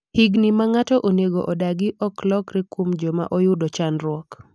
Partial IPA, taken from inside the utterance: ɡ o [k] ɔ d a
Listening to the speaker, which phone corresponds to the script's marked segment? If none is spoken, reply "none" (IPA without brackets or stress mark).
ʔ